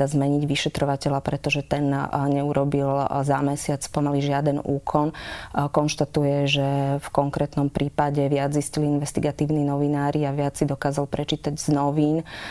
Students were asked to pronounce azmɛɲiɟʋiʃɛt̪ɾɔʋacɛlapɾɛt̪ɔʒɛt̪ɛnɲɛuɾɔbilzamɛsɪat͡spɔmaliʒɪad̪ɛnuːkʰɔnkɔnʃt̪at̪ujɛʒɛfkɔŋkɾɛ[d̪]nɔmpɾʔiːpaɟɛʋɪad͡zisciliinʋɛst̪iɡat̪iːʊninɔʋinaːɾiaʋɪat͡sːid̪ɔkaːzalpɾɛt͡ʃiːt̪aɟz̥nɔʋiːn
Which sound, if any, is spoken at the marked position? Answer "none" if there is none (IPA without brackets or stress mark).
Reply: t̪